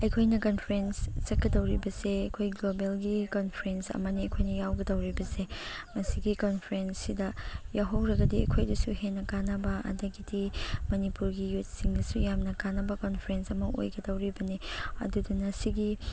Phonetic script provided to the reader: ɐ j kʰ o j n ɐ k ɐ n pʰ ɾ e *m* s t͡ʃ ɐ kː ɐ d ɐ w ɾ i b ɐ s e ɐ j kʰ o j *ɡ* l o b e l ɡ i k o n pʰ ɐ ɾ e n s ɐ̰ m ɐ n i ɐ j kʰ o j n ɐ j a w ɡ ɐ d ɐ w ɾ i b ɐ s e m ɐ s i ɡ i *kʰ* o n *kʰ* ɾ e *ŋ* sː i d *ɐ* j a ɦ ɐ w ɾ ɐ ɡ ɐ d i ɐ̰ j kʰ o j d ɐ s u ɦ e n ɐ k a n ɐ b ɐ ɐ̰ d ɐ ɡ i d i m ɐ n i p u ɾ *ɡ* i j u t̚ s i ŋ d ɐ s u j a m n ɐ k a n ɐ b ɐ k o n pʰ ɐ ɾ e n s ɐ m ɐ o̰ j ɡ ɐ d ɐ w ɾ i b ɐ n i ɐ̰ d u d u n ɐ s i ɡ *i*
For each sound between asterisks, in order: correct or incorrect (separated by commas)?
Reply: incorrect, correct, incorrect, incorrect, incorrect, correct, correct, correct